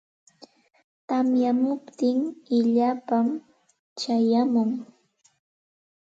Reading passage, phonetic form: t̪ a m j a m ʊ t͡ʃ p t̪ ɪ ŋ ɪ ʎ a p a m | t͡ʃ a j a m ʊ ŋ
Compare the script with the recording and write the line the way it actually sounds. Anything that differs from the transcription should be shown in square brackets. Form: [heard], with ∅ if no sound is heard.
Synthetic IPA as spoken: t̪ a m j a m ʊ [∅] p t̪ ɪ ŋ ɪ ʎ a p a m | t͡ʃ a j a m ʊ ŋ